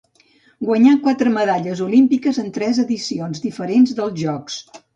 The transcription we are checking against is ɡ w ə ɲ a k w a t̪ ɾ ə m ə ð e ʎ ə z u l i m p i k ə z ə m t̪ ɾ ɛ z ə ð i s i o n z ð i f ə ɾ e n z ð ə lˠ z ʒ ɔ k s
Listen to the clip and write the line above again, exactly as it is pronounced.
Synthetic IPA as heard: ɡ w ə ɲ a k w a t̪ ɾ ə m ə ð a ʎ ə z u l i m p i k ə z ə n t̪ ɾ ɛ z ə ð i s i o n z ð i f ə ɾ e n z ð ə lˠ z ʒ ɔ k s